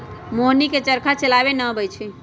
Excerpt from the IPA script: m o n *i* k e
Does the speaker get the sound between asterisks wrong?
no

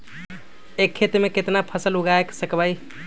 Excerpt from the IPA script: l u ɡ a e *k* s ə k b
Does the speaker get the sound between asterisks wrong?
no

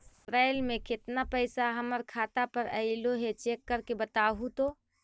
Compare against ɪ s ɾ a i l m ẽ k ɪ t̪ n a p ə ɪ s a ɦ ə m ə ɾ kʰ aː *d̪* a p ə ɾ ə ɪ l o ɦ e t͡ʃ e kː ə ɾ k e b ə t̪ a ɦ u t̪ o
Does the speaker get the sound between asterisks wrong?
yes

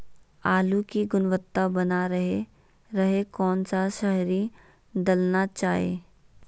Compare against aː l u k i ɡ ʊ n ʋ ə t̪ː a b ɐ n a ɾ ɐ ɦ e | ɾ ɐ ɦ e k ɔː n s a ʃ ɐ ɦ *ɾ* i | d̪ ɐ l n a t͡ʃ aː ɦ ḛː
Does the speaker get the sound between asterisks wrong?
no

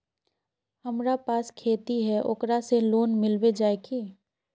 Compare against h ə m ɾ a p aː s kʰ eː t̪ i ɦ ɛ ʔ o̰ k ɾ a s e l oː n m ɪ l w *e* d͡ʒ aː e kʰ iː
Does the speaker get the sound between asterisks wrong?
no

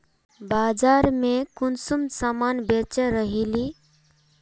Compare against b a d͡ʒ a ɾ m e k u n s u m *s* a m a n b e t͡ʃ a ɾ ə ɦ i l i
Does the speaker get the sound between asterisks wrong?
no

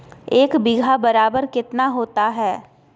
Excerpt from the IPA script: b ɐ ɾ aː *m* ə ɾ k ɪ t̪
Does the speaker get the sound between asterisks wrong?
yes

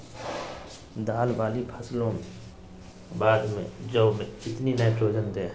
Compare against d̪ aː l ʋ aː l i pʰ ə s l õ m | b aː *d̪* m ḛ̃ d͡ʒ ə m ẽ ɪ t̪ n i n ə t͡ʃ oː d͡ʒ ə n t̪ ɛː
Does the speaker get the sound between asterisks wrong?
no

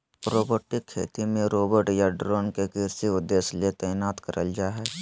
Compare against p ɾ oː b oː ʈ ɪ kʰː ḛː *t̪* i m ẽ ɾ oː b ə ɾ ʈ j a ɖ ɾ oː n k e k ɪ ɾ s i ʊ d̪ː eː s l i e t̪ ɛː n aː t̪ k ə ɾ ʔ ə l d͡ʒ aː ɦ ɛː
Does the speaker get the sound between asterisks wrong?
no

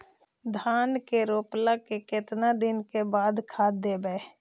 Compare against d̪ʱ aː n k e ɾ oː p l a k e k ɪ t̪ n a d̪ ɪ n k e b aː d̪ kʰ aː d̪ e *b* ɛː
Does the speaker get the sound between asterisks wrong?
no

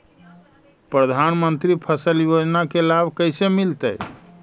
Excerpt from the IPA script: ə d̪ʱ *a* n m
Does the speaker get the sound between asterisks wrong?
no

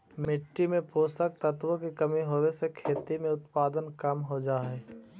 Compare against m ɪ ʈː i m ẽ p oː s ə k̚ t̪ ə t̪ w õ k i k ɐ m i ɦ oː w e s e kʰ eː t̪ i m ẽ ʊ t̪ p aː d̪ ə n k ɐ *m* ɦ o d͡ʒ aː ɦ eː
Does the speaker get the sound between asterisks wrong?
no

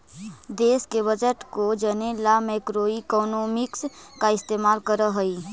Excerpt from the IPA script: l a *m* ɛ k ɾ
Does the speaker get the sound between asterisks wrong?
no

